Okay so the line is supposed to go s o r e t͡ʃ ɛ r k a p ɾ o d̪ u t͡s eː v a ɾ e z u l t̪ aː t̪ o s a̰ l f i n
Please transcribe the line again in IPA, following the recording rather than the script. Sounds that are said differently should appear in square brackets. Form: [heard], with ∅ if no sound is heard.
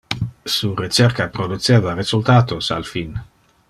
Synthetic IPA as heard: s [u] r e t͡ʃ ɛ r k a p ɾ o d̪ u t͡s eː v a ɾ e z u l t̪ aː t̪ o s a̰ l f i n